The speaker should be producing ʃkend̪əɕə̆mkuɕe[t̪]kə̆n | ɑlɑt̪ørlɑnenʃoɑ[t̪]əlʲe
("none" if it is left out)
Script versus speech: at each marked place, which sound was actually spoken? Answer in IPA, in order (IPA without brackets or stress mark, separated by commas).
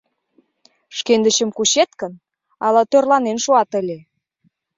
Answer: t̪, t̪